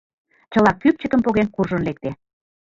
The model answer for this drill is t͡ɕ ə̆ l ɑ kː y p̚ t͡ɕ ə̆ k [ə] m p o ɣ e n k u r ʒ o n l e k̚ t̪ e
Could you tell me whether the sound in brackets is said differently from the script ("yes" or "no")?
no